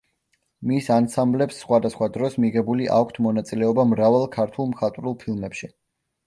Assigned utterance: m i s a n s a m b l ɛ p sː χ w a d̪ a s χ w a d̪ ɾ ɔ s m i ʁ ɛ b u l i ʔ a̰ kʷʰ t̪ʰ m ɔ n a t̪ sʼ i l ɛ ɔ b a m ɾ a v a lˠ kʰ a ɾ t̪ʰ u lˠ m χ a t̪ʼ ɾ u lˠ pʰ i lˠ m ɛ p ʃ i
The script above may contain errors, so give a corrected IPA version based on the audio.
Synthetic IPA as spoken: m i s a n s a m b l ɛ p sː χ w a d̪ a s χ w a d̪ ɾ ɔ s m i ʁ ɛ b u l i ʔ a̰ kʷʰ t̪ʰ m ɔ n a t̪ sʼ i l ɛ ɔ b a m ɾ a v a lˠ kʰ a ɾ t̪ʰ u lˠ m χ a t̪ʼ ɾ u lˠ pʰ i lˠ m ɛ p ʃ i